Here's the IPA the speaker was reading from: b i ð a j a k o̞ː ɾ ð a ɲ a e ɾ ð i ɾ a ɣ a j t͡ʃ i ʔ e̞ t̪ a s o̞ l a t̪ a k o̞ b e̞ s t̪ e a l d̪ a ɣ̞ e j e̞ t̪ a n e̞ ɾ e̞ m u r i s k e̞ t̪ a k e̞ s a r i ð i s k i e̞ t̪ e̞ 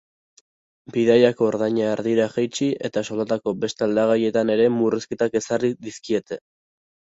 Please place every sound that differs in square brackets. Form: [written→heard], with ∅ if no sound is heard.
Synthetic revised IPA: b i ð a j a k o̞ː ɾ ð a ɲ a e ɾ ð i ɾ a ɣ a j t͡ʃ i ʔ e̞ t̪ a s o̞ l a t̪ a k o̞ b e̞ s t̪ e a l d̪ a ɣ̞ [e→a] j e̞ t̪ a n e̞ ɾ e̞ m u r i s k e̞ t̪ a k e̞ s a r i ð i s k i e̞ t̪ e̞